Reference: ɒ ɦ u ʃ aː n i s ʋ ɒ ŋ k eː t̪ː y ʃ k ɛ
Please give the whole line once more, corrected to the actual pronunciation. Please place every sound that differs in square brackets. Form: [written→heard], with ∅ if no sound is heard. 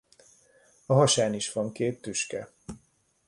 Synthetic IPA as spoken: ɒ ɦ [u→ɒ] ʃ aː n i [s→ʃ] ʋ ɒ ŋ k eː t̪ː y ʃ k ɛ